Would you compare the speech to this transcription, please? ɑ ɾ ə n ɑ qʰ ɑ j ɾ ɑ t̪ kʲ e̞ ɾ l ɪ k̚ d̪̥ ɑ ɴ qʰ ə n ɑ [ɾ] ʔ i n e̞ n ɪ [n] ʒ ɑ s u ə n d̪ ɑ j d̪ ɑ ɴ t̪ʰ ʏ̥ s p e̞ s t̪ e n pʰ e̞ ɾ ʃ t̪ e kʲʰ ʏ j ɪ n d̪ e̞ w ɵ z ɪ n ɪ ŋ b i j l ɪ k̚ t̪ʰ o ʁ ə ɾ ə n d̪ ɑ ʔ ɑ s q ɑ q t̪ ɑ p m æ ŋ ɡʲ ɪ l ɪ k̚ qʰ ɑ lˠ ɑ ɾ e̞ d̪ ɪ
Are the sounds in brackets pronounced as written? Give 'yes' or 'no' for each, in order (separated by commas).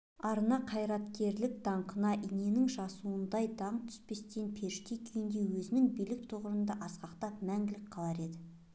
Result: no, no